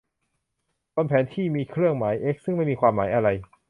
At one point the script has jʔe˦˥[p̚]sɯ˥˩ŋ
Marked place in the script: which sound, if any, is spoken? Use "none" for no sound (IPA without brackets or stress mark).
k̚